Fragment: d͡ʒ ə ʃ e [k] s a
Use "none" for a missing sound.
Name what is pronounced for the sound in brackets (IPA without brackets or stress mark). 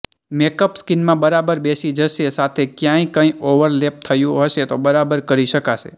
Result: none